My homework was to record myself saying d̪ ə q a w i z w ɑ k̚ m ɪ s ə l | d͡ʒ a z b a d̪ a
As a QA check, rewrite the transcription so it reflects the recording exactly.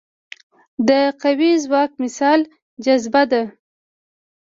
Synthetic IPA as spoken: d̪ ə q a w i z w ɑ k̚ m ɪ s ɑ l | d͡ʒ a z b a d̪ a

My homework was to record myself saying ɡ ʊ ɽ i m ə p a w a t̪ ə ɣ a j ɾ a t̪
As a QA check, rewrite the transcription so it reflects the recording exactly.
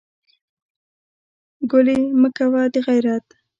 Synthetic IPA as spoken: ɡ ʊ l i m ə k a w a d̪ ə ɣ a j ɾ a t̪

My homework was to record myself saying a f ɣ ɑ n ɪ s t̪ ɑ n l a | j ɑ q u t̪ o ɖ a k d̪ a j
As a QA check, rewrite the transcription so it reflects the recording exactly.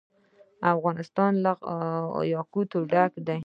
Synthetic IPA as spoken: a f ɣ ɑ n ɪ s t̪ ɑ n l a | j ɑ k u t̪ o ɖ a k d̪ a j

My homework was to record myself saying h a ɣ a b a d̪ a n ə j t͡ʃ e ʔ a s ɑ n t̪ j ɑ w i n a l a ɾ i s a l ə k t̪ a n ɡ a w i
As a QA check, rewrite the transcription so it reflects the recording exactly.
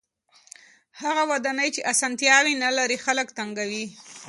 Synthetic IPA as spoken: h a ɣ a w a d̪ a n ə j t͡ʃ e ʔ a s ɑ n t̪ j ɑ w i n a l a ɾ i x a l ə k t̪ a ŋ ɡ a w i

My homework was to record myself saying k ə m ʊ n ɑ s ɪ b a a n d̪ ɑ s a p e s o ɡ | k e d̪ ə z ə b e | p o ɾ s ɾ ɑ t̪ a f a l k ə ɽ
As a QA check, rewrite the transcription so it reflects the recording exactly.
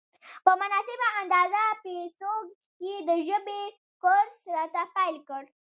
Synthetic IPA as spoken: p ə m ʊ n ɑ s ɪ b a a n d̪ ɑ z a p e s o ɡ | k e d̪ ə ʒ ə b e | k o ɾ s ɾ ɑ t̪ a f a l k ə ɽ

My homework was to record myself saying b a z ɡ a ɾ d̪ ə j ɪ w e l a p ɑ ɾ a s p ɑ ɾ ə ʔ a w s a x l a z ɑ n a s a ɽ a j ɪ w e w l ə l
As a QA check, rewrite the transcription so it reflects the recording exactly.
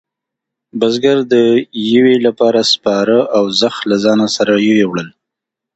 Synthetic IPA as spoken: b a z ɡ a ɾ d̪ ə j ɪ w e l a p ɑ ɾ a s p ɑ ɾ ə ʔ a w z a x l a z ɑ n a s a ɾ a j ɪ w e w ɽ ə l

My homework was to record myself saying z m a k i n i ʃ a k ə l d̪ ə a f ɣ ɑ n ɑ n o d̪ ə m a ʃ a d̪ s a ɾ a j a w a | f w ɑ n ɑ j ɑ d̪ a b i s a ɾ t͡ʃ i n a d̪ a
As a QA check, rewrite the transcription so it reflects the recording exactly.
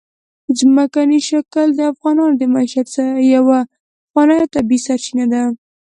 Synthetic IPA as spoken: z m a k a n i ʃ a k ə l d̪ ə a f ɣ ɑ n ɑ n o d̪ ə m a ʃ a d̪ s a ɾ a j a w a | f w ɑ n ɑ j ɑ t̪ a b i s a ɾ t͡ʃ i n a d̪ a

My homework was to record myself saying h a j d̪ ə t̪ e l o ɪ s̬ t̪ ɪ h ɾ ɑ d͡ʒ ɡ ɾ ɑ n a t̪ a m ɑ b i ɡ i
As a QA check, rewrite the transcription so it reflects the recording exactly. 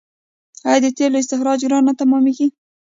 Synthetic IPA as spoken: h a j d̪ ə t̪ e l o ɪ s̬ t̪ ɪ x ɾ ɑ d͡ʒ ɡ ɾ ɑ n a t̪ a m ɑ m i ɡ i

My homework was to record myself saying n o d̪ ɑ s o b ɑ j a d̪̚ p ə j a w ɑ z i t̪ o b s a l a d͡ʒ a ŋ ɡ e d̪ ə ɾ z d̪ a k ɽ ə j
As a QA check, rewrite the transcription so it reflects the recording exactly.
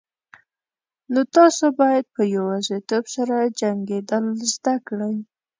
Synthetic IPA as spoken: n o t̪ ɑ s o b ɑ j a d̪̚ p ə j a w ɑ z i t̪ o b s a ɾ a d͡ʒ a ŋ ɡ e d̪ ə l z d̪ a k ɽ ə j

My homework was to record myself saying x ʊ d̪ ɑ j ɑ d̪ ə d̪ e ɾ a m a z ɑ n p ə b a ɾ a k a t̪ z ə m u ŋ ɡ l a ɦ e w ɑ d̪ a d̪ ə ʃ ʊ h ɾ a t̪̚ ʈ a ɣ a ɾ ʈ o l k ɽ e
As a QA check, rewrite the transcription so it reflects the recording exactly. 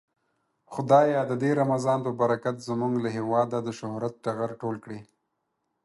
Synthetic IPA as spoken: x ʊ d̪ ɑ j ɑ d̪ ə d̪ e ɾ a m a z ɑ n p ə b a ɾ a k a t̪ z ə m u ŋ ɡ l a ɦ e w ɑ d̪ a d̪ ə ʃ ʊ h ɾ a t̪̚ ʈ a ɣ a ɾ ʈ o l k ɽ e

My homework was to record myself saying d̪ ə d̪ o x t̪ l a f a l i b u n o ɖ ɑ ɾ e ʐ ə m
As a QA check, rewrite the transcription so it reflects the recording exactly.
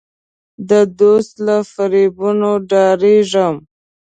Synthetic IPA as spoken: d̪ ə d̪ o s t̪ l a f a ɾ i b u n o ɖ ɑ ɾ e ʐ ə m

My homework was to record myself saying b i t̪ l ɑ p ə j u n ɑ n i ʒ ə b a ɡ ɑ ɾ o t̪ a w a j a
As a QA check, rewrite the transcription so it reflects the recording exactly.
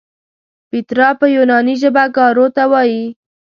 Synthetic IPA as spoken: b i t̪ ɾ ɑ p ə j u n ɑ n i ʒ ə b a ɡ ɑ ɾ o t̪ a w ɑ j i

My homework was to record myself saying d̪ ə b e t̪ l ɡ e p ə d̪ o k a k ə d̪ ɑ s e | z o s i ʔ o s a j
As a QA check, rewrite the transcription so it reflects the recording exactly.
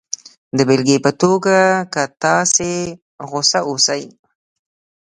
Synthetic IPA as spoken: d̪ ə b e l ɡ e p ə t̪ o ɡ a k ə t̪ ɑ s e | ɣ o s a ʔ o s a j

